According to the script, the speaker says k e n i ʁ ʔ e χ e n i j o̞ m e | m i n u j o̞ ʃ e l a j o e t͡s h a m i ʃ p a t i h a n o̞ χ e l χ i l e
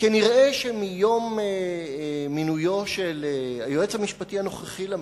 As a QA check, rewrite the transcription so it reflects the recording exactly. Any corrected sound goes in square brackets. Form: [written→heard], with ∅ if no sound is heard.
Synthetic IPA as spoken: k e n i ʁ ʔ e [χ→ʃ] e [n→m] i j o̞ m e | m i n u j o̞ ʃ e l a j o e t͡s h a m i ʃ p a t i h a n o̞ χ e [l→∅] χ i l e